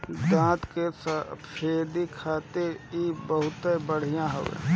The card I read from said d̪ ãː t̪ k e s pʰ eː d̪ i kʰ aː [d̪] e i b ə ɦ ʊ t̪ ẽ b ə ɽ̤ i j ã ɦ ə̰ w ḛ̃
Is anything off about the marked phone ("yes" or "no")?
yes